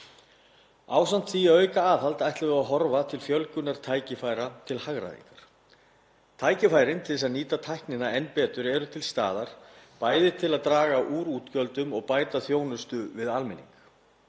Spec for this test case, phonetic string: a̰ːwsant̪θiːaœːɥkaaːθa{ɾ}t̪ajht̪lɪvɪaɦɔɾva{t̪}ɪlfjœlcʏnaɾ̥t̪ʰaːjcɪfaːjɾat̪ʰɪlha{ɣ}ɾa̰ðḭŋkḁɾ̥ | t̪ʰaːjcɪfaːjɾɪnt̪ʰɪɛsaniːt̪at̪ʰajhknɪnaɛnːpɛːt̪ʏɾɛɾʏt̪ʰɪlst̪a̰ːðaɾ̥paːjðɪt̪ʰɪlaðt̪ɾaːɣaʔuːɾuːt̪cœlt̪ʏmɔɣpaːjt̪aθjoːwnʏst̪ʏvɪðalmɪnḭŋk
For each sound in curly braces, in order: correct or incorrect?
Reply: incorrect: l, incorrect: t̪ʰ, correct

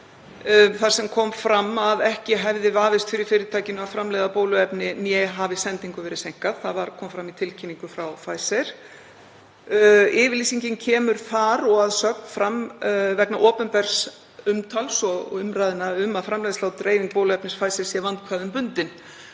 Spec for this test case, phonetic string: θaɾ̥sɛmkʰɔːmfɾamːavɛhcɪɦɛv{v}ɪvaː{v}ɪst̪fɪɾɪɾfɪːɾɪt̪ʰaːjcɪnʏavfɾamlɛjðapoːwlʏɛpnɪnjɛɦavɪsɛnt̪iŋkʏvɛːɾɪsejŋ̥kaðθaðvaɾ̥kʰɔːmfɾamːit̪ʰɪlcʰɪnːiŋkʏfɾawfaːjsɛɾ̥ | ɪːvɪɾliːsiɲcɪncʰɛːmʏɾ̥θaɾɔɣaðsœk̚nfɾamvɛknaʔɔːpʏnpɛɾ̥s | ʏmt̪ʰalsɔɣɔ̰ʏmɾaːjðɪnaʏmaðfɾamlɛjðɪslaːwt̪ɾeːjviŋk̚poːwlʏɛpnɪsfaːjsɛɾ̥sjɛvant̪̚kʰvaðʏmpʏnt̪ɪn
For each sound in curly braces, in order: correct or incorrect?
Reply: incorrect: ð, correct

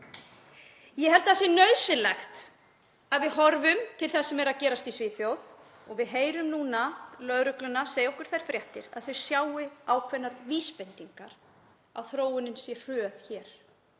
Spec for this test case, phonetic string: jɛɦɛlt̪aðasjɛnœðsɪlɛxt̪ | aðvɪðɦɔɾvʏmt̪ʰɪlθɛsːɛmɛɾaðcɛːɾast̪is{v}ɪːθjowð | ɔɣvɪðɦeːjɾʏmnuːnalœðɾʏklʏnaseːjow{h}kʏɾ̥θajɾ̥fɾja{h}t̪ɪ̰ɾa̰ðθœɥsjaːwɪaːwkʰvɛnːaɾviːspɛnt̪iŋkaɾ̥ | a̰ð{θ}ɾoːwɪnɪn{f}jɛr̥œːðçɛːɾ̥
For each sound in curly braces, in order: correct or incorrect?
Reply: correct, correct, correct, correct, incorrect: s

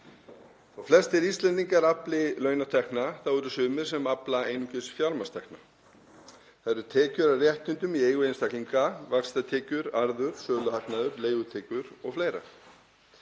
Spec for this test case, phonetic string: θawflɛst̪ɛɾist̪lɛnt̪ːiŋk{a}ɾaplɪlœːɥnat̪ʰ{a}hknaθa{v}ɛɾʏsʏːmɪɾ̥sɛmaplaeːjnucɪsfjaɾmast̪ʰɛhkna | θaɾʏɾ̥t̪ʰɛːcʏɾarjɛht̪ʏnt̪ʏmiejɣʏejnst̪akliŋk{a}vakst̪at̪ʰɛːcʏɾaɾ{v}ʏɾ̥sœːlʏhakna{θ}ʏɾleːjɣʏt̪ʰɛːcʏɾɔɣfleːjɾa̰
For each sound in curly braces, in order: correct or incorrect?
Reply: correct, incorrect: ɛ, incorrect: w, correct, incorrect: ð, incorrect: ð

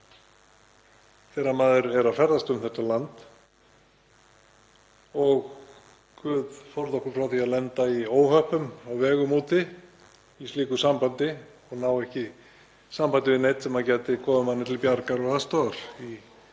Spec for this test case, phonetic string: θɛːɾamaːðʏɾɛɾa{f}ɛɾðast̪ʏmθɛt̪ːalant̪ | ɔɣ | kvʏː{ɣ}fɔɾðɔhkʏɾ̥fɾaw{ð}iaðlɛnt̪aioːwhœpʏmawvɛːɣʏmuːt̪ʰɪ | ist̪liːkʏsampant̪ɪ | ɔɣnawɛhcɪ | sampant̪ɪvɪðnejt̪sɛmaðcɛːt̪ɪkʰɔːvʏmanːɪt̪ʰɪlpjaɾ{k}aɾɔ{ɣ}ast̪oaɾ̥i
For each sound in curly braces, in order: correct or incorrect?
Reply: correct, incorrect: ð, incorrect: θ, correct, correct

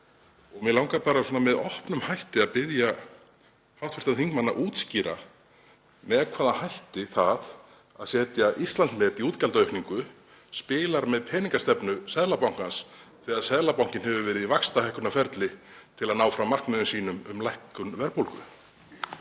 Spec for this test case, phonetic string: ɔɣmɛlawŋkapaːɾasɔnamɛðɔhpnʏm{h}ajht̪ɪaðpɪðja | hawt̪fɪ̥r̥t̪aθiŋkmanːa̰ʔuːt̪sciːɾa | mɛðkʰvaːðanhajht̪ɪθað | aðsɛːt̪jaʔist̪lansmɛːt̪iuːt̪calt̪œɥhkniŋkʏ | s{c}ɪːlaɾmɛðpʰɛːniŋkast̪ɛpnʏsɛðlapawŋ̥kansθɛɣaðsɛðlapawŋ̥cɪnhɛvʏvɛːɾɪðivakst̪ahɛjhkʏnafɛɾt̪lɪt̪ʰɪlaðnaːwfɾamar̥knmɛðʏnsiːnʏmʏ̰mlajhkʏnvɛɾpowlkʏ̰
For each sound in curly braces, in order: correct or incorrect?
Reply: correct, incorrect: p

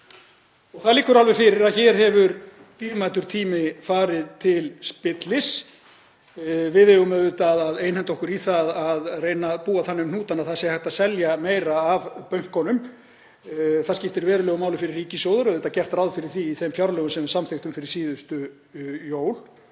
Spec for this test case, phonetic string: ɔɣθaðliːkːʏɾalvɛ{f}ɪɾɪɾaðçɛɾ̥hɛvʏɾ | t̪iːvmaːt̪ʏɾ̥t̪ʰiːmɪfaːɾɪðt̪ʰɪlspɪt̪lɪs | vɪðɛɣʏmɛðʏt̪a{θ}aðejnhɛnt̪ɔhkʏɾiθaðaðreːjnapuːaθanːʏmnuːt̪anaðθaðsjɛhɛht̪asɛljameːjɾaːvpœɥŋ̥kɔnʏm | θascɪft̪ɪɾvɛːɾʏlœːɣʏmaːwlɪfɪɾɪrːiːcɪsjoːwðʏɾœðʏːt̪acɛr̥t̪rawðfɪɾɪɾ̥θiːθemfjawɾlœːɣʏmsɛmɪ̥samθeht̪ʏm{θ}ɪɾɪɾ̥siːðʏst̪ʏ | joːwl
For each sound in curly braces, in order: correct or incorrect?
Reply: correct, incorrect: ð, incorrect: f

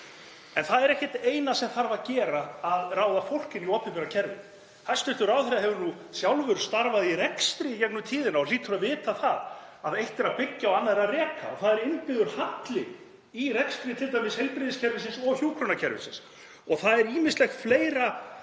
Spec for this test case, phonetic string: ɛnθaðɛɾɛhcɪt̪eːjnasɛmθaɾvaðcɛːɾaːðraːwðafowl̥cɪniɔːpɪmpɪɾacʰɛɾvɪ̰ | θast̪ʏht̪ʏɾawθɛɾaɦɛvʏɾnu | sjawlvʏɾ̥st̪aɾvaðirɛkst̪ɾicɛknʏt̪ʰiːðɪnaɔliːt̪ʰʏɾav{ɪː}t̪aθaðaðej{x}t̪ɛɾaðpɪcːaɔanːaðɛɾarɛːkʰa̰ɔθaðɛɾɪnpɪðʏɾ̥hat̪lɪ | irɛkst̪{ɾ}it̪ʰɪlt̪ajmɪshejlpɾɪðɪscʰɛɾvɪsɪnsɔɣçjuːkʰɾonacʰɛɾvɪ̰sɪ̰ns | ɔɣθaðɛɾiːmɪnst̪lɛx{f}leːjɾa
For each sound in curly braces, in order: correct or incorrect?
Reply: correct, incorrect: h, correct, correct

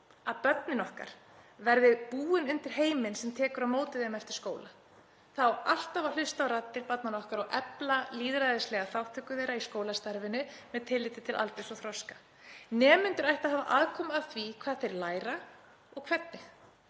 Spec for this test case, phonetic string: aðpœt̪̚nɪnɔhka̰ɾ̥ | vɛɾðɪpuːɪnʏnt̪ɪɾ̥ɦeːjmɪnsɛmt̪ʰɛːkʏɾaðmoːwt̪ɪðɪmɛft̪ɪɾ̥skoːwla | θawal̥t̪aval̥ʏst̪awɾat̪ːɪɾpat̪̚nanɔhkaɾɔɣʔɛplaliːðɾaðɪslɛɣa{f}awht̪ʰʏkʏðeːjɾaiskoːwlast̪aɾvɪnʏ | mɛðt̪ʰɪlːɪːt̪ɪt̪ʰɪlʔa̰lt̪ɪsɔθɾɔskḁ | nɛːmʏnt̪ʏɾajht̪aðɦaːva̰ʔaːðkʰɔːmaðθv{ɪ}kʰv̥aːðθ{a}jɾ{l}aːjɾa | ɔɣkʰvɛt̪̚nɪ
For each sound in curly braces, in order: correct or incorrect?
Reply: incorrect: θ, incorrect: i, incorrect: e, correct

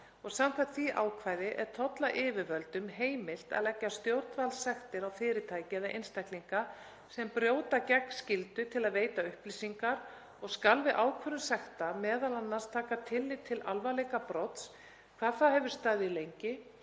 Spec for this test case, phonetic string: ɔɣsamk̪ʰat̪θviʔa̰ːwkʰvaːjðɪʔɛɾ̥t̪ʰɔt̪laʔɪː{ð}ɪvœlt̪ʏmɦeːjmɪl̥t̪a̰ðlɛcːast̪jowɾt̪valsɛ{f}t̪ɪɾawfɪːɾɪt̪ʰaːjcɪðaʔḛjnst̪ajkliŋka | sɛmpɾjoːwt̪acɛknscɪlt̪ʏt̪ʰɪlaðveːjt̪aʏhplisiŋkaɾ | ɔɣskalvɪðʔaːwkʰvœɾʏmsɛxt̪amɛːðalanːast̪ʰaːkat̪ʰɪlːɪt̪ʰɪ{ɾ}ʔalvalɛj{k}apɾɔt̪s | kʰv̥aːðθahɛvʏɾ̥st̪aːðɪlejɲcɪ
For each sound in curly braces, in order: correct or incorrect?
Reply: incorrect: v, incorrect: x, incorrect: l, correct

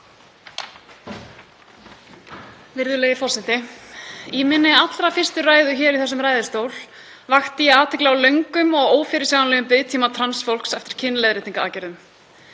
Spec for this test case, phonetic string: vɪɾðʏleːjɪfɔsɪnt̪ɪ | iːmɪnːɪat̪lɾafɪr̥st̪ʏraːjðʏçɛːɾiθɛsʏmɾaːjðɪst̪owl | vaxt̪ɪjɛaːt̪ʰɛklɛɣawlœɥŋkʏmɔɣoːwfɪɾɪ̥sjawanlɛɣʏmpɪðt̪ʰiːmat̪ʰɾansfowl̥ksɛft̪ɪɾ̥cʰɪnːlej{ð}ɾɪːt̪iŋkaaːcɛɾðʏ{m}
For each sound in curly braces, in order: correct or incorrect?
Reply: correct, correct

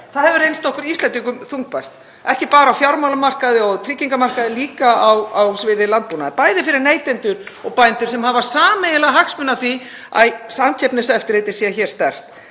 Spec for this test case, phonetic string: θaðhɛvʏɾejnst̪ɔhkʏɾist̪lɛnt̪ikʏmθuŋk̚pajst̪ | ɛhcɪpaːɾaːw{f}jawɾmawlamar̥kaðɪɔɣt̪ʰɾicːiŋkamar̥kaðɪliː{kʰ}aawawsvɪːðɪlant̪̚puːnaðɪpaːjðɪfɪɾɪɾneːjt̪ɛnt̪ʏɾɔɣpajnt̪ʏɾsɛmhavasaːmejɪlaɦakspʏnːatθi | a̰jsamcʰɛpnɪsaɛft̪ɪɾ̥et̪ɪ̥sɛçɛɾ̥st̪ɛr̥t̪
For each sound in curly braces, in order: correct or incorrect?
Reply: correct, incorrect: k

